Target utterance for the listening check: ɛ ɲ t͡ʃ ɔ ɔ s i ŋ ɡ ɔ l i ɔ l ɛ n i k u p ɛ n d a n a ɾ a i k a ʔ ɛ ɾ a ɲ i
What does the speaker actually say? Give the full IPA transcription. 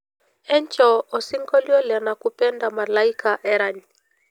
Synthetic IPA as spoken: ɛ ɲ t͡ʃ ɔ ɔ s i ŋ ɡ ɔ l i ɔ l ɛ n a k u p ɛ n d a m a l a i k a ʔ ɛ ɾ a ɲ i